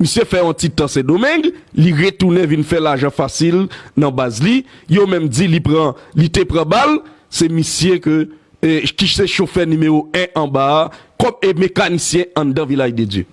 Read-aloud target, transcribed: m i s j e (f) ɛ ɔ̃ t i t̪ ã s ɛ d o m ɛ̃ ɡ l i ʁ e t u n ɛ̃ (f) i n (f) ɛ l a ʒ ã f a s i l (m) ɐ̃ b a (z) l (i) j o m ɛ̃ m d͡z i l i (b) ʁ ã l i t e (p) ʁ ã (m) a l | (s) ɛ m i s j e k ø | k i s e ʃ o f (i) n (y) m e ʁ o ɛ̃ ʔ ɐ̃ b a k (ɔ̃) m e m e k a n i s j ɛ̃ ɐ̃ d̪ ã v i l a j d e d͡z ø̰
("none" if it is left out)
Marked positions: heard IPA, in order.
f, v, f, n, z, i, p, p, b, s, ɛ, y, ɔ

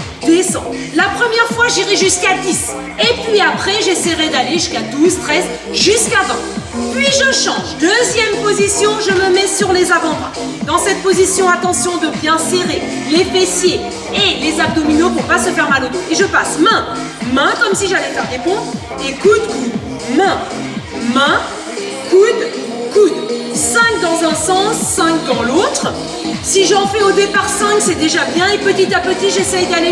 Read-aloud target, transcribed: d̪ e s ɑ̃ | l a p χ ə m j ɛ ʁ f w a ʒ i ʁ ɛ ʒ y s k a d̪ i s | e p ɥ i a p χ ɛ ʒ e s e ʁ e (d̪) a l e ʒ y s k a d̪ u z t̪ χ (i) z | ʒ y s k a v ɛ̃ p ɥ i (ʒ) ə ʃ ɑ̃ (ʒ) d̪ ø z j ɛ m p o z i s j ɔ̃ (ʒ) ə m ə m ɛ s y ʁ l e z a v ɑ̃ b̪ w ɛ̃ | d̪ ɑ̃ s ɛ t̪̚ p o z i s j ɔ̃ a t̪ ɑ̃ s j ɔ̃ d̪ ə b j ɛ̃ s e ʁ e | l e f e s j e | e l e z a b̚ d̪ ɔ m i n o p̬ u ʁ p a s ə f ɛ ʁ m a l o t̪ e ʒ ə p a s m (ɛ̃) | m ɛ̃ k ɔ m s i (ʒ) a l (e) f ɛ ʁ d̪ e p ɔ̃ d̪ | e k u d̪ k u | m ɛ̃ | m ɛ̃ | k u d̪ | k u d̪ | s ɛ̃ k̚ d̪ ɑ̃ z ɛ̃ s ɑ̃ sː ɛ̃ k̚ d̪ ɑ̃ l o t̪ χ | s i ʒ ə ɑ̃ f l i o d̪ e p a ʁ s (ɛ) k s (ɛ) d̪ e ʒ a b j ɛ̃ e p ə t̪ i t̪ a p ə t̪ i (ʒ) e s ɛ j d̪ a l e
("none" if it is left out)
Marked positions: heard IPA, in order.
d̪, ɛ, ʒ, ʒ, ʒ, ɛ̃, ʒ, ɛ, ɛ̃, ɛ, ʒ

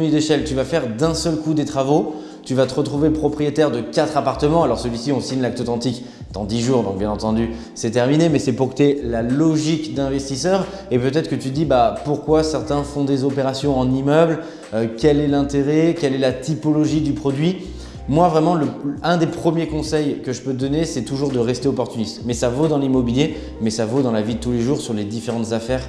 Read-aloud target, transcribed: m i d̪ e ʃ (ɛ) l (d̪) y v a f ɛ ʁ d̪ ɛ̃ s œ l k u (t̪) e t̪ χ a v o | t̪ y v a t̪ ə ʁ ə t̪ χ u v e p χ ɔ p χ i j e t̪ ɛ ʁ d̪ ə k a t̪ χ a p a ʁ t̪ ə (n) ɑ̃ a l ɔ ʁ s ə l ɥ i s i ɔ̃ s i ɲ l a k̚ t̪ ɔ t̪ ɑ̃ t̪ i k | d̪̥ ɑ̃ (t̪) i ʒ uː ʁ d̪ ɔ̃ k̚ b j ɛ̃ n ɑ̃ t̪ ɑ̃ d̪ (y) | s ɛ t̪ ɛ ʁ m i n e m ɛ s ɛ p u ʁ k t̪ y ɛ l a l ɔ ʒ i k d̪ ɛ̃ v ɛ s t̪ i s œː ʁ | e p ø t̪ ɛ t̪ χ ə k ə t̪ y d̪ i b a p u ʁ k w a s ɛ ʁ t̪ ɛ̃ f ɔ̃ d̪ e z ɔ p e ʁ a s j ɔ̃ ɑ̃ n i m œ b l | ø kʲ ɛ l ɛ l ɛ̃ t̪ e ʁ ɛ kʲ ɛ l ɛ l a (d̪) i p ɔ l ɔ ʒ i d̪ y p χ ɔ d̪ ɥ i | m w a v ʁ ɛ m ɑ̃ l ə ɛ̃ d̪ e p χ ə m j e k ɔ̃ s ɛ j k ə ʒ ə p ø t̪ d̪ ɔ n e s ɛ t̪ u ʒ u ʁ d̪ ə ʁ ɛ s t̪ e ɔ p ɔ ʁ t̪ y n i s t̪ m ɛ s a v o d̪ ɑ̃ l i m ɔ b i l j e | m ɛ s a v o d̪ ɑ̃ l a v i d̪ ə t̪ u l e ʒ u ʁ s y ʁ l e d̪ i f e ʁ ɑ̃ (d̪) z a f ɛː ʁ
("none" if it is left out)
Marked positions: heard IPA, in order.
ɛ, t̪, d̪, m, d̪, y, t̪, t̪

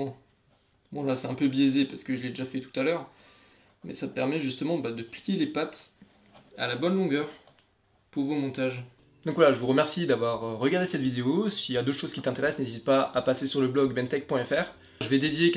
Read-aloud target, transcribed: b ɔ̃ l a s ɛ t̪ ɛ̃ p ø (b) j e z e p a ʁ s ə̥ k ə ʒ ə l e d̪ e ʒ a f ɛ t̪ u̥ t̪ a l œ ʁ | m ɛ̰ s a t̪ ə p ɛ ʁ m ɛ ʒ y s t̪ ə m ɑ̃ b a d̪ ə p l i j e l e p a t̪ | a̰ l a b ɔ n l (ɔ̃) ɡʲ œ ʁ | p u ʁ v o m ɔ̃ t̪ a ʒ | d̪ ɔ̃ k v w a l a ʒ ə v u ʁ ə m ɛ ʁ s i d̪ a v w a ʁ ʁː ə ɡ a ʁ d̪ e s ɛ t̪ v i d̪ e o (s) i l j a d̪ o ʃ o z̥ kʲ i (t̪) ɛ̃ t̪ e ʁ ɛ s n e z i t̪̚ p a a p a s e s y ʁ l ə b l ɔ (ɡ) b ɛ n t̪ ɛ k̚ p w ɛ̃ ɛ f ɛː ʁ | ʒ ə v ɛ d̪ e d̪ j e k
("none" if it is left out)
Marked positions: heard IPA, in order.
b, ɔ̃, s, t̪, ɡ

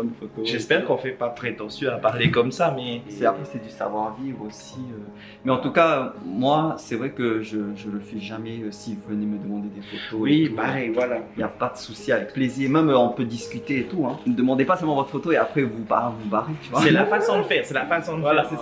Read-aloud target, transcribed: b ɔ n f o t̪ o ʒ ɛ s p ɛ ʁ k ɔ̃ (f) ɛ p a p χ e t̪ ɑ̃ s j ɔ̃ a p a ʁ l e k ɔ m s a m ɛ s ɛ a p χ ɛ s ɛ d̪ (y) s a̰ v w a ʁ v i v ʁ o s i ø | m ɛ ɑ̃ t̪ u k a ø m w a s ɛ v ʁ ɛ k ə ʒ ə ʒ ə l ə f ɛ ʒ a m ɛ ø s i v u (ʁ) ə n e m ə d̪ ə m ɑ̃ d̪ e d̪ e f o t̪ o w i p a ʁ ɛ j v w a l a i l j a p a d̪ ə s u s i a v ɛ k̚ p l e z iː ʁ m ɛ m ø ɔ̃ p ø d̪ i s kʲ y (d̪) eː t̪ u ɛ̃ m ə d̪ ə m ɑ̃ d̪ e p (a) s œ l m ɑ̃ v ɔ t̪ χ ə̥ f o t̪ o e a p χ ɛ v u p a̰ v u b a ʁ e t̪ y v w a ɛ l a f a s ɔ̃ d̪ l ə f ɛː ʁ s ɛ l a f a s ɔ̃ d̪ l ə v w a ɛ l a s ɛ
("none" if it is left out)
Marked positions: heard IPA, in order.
f, y, v, t̪, a

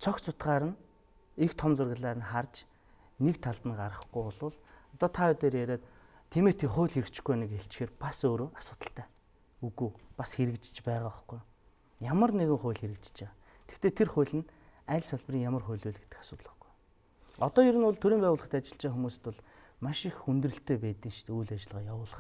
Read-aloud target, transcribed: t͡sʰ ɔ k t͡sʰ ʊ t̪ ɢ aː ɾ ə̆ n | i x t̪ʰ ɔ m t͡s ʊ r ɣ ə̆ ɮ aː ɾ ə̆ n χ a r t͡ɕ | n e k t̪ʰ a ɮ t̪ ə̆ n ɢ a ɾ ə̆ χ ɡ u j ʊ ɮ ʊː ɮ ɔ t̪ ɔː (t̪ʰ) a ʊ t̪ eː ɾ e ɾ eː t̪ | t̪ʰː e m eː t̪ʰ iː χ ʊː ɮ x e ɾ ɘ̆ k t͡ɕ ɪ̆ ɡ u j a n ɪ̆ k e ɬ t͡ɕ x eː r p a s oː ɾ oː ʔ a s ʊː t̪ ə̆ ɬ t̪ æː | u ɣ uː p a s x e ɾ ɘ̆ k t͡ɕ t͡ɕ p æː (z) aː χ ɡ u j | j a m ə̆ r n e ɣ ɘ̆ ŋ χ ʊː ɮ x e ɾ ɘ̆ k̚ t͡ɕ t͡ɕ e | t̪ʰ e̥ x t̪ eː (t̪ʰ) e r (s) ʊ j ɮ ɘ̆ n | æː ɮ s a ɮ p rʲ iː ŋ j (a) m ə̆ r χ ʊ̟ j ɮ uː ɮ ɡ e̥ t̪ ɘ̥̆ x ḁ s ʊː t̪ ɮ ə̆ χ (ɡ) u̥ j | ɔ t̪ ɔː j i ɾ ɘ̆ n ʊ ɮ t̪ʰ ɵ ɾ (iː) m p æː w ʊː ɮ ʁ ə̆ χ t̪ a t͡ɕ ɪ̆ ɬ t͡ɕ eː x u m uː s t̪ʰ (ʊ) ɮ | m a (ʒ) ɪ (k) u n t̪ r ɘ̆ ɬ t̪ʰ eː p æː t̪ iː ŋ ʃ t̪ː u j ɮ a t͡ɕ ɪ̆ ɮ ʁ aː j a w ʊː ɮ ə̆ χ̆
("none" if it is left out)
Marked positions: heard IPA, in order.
t̪ʰ, ʁ, t̪ʰ, χ, a, ɡ, iː, ʊ, ʃ, x

